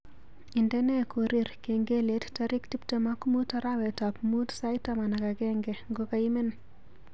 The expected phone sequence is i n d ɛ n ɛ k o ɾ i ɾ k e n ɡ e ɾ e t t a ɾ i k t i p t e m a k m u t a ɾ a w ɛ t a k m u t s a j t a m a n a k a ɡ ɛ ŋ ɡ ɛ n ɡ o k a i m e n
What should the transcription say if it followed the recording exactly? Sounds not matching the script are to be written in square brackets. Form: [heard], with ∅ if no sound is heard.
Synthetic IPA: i n d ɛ n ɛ k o ɾ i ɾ k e [ŋ] ɡ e [l] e t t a ɾ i k t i p t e m a k m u t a ɾ a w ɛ t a [p] m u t s a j t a m a n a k a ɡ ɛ ŋ ɡ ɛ [ŋ] ɡ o k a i m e n

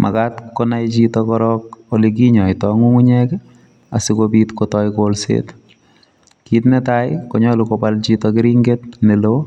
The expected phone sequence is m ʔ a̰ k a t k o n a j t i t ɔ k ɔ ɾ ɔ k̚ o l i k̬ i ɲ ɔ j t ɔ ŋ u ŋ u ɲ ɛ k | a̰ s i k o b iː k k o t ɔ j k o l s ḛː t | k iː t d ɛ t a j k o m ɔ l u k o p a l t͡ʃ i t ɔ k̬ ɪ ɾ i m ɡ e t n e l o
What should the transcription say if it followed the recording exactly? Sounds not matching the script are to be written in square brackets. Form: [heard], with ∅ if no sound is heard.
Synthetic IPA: m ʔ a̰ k a t k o n a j [t͡ʃ] i t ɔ k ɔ ɾ ɔ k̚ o l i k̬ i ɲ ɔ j t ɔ ŋ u ŋ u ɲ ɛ k | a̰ s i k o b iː [t] k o t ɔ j k o l s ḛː t | k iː t [n] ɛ t a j k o [ɲ] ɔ l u k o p a l t͡ʃ i t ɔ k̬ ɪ ɾ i [ŋ] ɡ e t n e l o

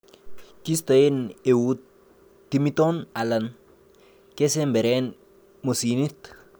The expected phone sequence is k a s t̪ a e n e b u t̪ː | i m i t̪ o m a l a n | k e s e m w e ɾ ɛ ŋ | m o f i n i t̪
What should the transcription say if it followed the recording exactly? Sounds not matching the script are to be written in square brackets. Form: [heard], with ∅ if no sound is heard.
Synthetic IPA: k [i] s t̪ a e n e [w] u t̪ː | i m i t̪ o [n] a l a n | k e s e m [b] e ɾ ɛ [n] | m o [s] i n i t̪

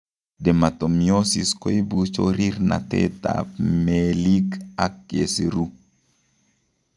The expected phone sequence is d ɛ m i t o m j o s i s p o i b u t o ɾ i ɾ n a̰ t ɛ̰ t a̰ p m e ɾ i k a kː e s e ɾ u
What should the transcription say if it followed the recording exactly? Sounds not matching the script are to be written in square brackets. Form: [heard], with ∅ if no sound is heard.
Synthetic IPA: d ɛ m [a] t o m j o s i s [k] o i b u [t͡ʃ] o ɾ i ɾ n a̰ t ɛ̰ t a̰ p m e [l] i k a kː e s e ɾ u

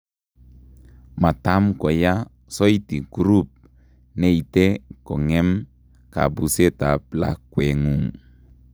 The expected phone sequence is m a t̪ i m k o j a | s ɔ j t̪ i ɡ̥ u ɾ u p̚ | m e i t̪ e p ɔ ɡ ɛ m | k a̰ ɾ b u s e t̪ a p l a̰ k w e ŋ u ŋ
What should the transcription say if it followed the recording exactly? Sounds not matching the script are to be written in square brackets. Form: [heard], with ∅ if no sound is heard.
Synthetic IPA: m a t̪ [a] m k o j a | s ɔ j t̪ i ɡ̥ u ɾ u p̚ | [n] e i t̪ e [k] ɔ [ŋ] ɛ m | k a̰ [∅] b u s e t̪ a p l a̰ k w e ŋ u ŋ

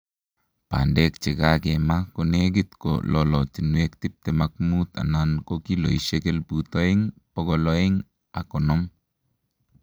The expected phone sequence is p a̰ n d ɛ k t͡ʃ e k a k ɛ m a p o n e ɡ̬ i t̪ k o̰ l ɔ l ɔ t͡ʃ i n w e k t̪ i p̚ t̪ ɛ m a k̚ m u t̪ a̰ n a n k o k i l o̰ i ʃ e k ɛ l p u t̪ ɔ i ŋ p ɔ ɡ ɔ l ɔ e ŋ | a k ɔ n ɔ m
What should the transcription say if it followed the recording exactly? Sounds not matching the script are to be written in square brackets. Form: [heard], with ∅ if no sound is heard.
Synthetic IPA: p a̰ n d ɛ k t͡ʃ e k a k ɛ m a [k] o n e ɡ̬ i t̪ k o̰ l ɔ l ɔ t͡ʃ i n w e k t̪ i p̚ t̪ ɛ m a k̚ m u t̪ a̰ n a n k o k i l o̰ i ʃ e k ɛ l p u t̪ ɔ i ŋ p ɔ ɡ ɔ l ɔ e ŋ | a k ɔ n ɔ m

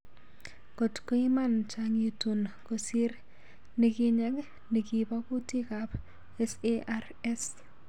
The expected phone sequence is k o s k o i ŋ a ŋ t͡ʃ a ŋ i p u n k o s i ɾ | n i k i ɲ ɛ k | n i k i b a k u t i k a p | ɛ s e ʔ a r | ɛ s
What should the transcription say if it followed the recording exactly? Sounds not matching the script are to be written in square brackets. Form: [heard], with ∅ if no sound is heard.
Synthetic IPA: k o [t] k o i [m] a [n] t͡ʃ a ŋ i [t] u n k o s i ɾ | n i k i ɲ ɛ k | n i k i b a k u t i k a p | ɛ s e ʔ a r | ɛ s

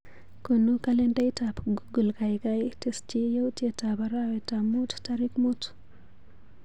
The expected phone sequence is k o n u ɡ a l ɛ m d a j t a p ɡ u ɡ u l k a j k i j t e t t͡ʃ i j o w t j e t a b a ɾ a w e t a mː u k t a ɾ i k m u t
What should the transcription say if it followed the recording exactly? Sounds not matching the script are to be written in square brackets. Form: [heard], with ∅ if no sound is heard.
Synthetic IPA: k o n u [k] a l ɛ [n] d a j t a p ɡ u ɡ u l k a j k [a] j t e [s] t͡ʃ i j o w t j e t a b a ɾ a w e t a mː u [t] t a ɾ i k m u t

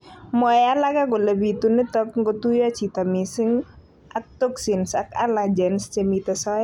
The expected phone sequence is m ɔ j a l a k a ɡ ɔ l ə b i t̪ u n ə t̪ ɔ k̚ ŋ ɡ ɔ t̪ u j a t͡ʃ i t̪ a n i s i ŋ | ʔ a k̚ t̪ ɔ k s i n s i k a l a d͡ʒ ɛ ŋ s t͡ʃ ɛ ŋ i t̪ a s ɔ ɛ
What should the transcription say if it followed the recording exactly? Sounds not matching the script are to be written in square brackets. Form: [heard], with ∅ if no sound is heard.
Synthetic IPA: m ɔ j a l a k a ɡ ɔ l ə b i t̪ u n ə t̪ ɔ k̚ ŋ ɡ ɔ t̪ u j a t͡ʃ i t̪ a [m] i s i ŋ | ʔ a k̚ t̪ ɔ k s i n s [a] k a l a d͡ʒ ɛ [n] s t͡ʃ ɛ [m] i t̪ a s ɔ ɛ

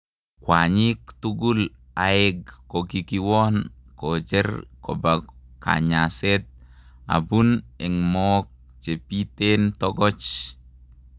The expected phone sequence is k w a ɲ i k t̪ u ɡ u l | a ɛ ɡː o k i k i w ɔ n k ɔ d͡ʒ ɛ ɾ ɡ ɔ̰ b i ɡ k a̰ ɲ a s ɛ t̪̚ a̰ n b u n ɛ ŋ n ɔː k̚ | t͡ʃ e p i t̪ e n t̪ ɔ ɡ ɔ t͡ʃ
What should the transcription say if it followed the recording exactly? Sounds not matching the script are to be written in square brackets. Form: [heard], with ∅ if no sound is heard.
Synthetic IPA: k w a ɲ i k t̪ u ɡ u l | a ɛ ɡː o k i k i w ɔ n k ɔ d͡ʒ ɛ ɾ [k] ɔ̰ b [a] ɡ k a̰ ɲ a s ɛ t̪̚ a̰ [∅] b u n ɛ ŋ [m] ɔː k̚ | t͡ʃ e p i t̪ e n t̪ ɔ ɡ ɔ t͡ʃ

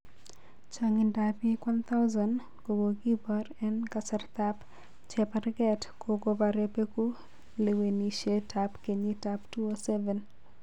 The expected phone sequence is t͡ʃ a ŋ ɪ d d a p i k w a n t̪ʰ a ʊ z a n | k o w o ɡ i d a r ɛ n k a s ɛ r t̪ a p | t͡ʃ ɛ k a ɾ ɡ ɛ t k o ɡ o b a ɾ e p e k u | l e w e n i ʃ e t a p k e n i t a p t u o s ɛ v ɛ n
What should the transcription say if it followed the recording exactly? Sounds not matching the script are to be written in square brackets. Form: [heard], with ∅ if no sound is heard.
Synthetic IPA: t͡ʃ a ŋ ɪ [n] d a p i k w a n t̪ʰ a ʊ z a n | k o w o ɡ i [b] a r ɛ n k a s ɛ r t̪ a p | t͡ʃ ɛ [p] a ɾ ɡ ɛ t k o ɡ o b a ɾ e p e k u | l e w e n i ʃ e t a p k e [ɲ] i t a p t u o s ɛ v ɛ n

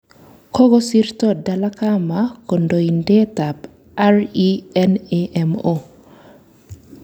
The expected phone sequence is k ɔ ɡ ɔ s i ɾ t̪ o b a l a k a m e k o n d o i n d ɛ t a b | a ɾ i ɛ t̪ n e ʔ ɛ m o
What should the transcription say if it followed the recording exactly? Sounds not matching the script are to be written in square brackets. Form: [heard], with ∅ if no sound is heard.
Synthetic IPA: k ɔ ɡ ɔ s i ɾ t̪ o [d] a l a k a m [a] k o n d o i n d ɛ t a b | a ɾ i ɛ [∅] n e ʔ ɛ m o

